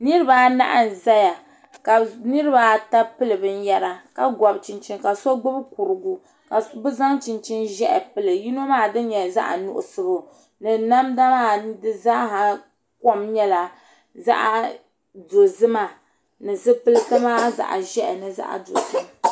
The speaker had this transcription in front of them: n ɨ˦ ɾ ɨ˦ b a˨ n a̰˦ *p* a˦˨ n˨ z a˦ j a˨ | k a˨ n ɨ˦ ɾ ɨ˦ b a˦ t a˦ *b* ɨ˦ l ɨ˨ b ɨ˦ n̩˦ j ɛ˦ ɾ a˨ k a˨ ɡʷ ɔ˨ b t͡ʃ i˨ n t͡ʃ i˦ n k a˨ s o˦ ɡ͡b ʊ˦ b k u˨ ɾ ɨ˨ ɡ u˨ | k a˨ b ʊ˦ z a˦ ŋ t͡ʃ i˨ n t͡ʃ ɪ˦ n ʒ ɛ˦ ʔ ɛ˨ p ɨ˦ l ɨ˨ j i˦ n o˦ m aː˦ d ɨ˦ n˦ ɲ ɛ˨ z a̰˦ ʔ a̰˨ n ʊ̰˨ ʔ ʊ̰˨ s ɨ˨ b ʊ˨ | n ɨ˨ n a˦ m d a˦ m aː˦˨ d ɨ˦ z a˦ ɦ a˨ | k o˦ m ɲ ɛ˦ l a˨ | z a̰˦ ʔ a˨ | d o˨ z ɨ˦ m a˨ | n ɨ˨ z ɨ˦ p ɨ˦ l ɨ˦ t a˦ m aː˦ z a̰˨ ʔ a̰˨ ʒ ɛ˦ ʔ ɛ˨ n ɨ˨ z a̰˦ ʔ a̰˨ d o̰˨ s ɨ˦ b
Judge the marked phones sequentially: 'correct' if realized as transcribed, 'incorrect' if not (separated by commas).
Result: incorrect, incorrect